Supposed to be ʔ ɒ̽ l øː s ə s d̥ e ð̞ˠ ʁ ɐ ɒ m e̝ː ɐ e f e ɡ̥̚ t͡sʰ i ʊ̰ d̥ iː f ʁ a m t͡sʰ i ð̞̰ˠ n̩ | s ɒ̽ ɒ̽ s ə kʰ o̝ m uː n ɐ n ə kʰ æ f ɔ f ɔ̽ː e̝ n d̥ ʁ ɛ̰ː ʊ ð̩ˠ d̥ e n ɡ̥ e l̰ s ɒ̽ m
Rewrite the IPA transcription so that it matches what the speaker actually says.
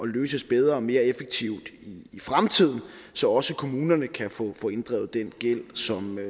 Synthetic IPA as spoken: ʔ ɒ̽ l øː s ə s b̥ e ð̞ˠ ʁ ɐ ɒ m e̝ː ɐ e f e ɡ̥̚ t͡sʰ i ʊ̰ d̥ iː f ʁ a m t͡sʰ i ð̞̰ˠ n̩ | s ɒ̽ ɒ̽ s ə kʰ o̝ m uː n ɐ n ə kʰ æ f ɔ f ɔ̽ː e̝ n d̥ ʁ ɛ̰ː ʊ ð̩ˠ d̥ e n ɡ̥ e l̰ s ɒ̽ m